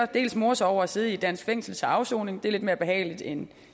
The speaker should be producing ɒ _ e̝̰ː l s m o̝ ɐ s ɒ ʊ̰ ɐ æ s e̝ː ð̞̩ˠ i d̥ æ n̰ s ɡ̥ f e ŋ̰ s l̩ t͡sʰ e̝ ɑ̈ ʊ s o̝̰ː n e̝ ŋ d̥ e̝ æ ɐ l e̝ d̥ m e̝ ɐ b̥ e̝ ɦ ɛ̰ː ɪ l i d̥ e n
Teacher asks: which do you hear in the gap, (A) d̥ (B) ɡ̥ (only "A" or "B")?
A